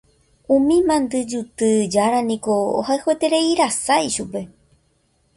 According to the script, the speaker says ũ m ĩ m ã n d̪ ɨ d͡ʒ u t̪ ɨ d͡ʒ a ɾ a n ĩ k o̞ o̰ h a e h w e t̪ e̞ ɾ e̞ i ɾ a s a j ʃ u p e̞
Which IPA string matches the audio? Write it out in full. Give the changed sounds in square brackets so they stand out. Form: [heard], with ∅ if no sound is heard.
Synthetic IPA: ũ m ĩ m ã n d̪ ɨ d͡ʒ u t̪ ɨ d͡ʒ a ɾ a n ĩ k o̞ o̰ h a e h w e t̪ e̞ ɾ e̞ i ɾ a s a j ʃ u p e̞